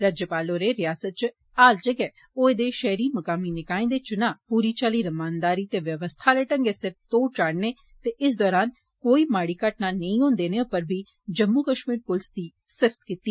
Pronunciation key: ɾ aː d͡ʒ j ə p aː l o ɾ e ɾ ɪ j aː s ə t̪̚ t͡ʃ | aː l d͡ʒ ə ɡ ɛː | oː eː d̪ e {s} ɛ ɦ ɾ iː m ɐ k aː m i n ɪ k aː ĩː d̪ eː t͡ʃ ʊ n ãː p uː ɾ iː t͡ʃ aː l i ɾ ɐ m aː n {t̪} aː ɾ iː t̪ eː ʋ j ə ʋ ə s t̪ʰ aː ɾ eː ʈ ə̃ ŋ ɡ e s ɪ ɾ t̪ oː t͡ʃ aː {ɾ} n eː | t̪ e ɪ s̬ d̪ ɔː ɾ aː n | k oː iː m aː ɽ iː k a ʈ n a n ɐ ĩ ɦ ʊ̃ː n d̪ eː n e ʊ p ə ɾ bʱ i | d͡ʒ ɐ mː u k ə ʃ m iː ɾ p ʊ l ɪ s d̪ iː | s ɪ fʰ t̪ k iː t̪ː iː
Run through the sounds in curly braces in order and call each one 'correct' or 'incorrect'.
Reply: incorrect: ʃ, incorrect: d̪, incorrect: ɽ

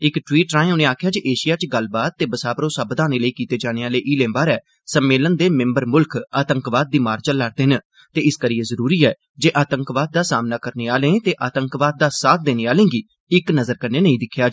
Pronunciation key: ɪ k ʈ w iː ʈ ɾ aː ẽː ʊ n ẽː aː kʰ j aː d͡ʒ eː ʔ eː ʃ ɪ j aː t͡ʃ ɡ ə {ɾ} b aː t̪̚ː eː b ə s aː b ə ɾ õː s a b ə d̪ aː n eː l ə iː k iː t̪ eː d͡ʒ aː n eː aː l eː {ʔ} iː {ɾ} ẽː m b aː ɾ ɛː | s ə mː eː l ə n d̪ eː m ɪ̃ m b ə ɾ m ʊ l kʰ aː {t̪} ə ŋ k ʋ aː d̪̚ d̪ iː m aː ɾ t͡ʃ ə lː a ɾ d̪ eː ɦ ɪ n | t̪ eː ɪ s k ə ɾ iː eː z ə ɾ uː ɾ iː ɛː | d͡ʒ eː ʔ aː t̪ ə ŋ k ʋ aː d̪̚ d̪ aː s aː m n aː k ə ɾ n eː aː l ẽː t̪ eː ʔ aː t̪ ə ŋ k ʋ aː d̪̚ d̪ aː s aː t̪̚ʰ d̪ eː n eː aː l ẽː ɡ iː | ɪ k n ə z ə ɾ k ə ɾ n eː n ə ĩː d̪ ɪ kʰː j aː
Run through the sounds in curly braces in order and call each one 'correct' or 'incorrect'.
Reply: incorrect: l, correct, incorrect: l, correct

